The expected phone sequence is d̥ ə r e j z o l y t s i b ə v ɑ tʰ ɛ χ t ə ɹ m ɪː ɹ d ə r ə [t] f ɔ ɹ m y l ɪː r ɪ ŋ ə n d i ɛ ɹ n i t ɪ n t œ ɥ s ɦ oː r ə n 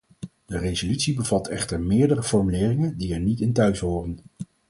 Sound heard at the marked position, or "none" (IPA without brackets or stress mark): none